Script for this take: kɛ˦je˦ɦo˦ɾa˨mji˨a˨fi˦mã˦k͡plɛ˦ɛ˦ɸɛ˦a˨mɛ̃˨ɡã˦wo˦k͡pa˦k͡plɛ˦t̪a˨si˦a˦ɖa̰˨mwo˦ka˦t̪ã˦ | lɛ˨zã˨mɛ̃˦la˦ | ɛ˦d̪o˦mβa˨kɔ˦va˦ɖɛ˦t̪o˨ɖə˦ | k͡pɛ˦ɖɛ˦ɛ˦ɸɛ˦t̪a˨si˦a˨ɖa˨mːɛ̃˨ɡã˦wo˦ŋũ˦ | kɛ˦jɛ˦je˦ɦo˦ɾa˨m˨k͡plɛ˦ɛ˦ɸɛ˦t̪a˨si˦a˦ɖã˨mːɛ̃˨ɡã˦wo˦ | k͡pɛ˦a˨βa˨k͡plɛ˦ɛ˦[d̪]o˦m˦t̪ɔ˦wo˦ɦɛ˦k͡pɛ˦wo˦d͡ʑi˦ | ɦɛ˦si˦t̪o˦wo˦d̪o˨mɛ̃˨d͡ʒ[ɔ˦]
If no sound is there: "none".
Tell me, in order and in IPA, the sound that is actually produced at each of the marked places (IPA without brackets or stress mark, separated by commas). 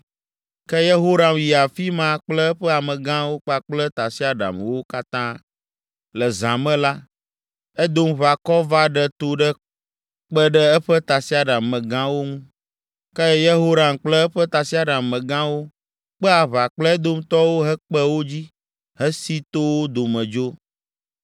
d̪, o˦